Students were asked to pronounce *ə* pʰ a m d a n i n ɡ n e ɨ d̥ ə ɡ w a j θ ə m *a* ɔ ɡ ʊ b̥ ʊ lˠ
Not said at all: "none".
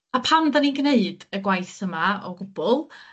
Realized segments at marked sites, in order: a, a

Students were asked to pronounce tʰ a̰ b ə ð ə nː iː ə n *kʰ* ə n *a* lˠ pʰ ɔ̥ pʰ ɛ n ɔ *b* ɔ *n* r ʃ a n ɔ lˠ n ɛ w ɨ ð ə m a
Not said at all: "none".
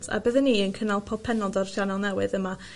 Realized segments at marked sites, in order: kʰ, a, d, none

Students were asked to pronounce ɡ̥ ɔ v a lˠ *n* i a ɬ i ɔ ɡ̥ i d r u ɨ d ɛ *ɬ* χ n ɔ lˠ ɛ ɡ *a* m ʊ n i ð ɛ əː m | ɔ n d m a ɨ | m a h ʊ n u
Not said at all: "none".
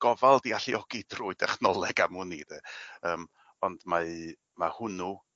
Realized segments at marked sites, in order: d, none, a

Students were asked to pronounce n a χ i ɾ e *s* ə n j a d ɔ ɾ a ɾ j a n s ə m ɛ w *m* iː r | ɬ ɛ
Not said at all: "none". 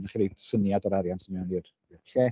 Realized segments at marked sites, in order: s, n

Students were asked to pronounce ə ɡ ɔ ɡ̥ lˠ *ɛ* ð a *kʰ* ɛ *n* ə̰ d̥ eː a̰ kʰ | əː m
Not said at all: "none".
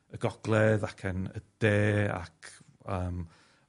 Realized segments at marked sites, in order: ɛ, kʰ, n

